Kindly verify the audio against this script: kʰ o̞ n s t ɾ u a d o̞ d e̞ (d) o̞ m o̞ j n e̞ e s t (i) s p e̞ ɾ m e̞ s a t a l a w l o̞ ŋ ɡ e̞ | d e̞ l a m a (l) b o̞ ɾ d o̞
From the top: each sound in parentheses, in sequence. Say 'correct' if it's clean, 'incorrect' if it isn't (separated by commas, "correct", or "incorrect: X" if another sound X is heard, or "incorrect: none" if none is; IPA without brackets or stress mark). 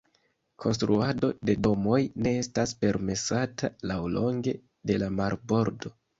correct, incorrect: a, incorrect: ɾ